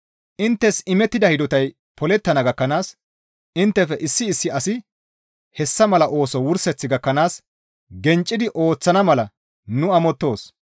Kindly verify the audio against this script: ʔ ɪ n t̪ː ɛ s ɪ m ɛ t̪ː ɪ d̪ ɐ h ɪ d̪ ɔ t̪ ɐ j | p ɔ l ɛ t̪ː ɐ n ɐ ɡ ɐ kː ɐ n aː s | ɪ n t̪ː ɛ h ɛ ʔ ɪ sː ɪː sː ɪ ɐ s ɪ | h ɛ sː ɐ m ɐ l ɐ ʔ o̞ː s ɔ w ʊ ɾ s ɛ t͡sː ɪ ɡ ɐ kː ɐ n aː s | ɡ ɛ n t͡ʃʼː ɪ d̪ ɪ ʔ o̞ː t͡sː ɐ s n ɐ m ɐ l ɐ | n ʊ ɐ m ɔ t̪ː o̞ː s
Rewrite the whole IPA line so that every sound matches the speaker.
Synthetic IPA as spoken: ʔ ɪ n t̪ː ɛ s ɪ m ɛ t̪ː ɪ d̪ ɐ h ɪ d̪ ɔ t̪ ɐ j | p ɔ l ɛ t̪ː ɐ n ɐ ɡ ɐ kː ɐ n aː s | ɪ n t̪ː ɛ f ɛ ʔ ɪ sː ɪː sː ɪ ɐ s ɪ | h ɛ sː ɐ m ɐ l ɐ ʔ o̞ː s ɔ w ʊ ɾ s ɛ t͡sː ɪ ɡ ɐ kː ɐ n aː s | ɡ ɛ n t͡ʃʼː ɪ d̪ ɪ ʔ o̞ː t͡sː ɐ n ɐ m ɐ l ɐ | n ʊ ɐ m ɔ t̪ː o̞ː s